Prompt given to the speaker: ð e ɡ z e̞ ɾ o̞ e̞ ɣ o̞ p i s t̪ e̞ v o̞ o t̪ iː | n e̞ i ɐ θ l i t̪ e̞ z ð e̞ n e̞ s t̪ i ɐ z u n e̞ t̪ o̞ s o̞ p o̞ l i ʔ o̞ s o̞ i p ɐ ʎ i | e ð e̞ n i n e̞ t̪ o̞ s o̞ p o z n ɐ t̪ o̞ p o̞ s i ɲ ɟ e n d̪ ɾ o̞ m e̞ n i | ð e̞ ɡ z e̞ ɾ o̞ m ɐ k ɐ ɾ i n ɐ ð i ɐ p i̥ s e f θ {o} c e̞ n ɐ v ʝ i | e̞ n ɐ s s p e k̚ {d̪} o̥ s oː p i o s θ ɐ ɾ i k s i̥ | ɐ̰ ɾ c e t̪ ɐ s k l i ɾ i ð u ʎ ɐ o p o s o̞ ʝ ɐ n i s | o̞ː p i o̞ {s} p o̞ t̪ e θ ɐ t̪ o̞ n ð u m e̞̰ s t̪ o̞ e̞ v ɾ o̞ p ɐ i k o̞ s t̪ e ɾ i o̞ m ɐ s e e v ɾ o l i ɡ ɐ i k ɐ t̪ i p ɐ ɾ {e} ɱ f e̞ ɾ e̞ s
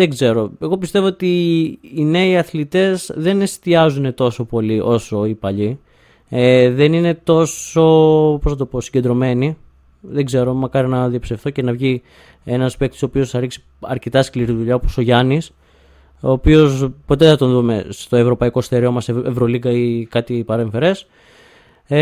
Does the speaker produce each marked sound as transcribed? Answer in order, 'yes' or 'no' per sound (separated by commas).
yes, no, yes, yes